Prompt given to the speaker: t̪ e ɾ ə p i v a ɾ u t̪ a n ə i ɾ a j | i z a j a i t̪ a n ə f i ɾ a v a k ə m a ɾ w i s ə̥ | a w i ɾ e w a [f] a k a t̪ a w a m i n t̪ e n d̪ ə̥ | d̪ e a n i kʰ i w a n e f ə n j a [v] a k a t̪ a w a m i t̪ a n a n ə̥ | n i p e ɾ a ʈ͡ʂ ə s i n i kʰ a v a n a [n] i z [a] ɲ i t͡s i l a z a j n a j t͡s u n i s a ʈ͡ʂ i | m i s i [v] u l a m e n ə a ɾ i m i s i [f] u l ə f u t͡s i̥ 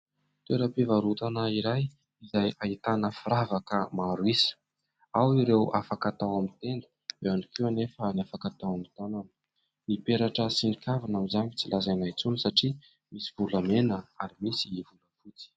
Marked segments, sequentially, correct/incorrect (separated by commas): correct, incorrect, incorrect, correct, correct, incorrect